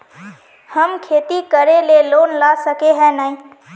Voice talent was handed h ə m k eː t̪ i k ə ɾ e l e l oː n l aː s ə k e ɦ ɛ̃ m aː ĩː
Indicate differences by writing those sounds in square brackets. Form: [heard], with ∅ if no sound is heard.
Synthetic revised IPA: h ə m [kʰ] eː t̪ i k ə ɾ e l e l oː n l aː s ə k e ɦ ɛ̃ [n] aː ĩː